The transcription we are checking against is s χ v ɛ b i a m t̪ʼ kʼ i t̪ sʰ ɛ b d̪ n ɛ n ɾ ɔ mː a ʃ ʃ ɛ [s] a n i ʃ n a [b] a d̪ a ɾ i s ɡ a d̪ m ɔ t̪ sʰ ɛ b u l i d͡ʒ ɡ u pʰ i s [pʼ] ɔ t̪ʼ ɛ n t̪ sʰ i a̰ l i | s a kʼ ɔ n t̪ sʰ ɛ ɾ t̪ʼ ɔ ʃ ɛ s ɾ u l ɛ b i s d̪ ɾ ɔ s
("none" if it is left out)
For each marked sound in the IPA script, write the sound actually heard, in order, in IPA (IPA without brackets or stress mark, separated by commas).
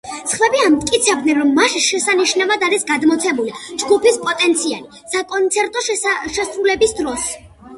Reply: s, v, pʼ